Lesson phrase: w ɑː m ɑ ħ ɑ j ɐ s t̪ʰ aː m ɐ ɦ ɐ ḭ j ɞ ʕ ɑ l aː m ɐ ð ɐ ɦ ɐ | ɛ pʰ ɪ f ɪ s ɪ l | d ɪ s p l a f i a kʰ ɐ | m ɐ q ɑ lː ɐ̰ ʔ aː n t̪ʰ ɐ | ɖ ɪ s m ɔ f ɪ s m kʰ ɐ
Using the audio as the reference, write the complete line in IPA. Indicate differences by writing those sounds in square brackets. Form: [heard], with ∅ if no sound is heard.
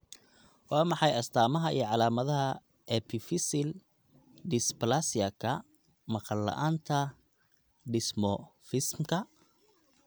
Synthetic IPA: w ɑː m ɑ ħ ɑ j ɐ s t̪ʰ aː m ɐ ɦ ɐ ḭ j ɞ ʕ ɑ l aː m ɐ ð ɐ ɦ ɐ | ɛ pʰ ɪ f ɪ s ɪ l | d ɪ s p l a [s] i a kʰ ɐ | m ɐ q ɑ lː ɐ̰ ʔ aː n t̪ʰ ɐ | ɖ ɪ s m ɔ f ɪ s m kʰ ɐ